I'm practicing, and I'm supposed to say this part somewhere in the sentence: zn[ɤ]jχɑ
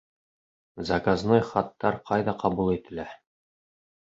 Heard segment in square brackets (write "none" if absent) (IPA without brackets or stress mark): o